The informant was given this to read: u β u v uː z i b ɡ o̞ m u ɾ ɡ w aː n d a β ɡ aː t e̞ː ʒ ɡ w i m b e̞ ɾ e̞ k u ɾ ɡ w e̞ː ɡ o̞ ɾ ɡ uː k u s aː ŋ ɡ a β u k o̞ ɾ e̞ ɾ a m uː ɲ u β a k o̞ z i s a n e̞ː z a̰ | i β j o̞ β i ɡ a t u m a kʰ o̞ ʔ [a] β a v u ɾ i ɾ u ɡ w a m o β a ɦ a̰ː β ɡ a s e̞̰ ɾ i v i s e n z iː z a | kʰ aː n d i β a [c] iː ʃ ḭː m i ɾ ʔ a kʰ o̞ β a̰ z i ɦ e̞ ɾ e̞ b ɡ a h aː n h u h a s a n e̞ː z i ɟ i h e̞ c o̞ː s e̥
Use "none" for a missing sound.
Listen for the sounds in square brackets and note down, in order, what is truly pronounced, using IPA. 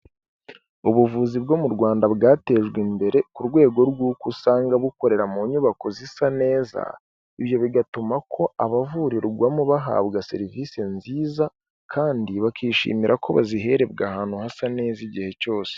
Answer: a, k

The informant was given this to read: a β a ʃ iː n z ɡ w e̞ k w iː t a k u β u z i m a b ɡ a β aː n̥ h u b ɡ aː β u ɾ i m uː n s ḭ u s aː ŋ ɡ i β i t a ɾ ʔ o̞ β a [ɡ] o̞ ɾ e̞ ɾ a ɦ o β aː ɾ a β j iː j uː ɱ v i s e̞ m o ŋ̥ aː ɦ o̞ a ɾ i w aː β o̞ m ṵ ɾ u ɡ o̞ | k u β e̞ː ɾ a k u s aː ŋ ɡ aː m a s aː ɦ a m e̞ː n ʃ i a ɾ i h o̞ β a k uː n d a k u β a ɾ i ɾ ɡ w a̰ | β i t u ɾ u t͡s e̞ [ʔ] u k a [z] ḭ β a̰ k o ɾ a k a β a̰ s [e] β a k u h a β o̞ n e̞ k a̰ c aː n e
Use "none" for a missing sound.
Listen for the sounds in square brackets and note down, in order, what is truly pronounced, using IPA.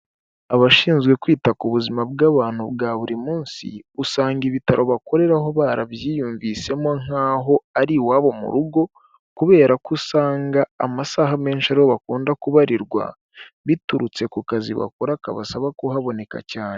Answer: k, k, z, a

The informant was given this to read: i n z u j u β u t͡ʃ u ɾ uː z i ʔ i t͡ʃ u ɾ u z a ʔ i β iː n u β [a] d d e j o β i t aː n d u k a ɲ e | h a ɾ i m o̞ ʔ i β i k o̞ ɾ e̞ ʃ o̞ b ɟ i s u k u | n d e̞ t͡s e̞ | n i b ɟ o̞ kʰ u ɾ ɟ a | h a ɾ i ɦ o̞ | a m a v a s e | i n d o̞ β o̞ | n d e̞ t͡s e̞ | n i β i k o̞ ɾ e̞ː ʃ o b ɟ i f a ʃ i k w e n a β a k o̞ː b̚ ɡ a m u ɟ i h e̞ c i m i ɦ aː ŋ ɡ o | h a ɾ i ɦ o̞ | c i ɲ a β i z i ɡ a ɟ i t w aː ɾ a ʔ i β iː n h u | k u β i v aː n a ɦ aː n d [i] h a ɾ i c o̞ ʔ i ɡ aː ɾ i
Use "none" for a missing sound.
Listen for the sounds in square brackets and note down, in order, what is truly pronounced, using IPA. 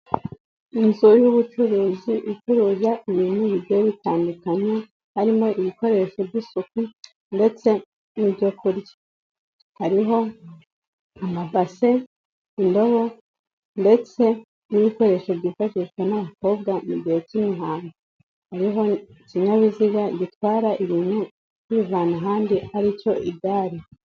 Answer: i, i

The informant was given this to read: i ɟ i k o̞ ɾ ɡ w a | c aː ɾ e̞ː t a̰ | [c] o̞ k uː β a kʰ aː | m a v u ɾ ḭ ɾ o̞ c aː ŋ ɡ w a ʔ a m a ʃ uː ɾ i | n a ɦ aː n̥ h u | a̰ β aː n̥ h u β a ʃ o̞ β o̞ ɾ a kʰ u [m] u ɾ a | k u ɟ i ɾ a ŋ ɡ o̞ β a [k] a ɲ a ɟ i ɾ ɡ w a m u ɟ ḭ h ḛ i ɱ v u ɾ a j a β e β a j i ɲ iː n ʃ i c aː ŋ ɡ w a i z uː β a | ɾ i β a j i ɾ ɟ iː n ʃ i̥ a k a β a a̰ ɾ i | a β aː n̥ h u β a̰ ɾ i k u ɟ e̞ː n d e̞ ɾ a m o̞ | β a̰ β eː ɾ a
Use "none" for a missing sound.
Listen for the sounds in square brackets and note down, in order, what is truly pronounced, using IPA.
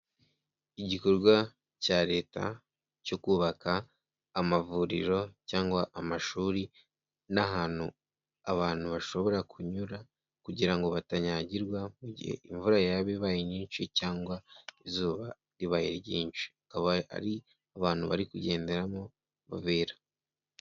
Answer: c, ɲ, t

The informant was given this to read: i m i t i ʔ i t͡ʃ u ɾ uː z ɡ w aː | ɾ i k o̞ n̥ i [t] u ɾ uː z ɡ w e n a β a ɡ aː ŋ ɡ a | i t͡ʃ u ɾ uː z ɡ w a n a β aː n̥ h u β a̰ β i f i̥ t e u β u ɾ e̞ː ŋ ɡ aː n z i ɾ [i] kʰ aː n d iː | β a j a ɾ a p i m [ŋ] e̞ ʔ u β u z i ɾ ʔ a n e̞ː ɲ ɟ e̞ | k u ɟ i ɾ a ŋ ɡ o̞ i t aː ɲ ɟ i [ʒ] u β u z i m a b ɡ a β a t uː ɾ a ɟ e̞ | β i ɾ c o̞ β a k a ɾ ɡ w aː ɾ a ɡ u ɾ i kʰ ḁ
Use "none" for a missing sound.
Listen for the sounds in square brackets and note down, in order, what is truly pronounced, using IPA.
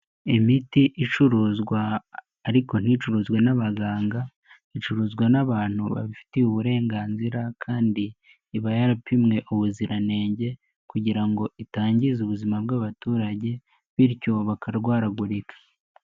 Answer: t͡ʃ, a, ŋ, z

